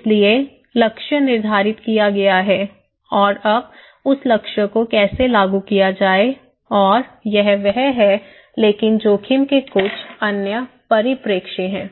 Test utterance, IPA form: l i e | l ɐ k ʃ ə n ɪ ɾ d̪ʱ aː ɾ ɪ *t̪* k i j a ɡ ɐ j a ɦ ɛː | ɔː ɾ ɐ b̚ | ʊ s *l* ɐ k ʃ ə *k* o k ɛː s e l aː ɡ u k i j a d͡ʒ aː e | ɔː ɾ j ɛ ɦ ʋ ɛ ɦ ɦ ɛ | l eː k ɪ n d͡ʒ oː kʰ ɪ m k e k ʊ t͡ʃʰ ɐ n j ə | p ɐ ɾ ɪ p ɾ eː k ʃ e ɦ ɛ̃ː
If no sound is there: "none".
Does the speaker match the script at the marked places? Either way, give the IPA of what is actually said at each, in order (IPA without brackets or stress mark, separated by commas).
t̪, l, k